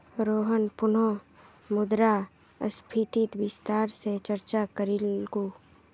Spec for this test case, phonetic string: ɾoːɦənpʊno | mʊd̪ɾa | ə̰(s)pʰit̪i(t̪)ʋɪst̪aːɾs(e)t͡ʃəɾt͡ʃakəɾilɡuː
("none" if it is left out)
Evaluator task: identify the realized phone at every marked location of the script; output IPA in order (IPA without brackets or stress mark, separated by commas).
s, t̪, e